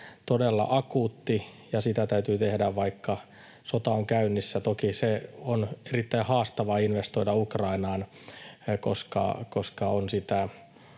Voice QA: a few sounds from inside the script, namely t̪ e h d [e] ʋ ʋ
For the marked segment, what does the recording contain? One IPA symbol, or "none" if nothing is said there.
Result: æ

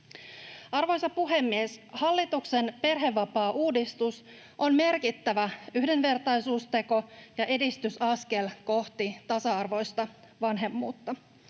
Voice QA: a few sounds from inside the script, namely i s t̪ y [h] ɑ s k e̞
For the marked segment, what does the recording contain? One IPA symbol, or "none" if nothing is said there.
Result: s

